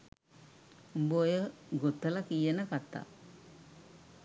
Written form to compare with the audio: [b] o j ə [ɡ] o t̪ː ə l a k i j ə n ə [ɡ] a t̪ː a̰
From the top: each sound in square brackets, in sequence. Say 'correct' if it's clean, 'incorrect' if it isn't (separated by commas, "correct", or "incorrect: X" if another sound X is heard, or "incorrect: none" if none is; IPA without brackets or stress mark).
correct, correct, incorrect: k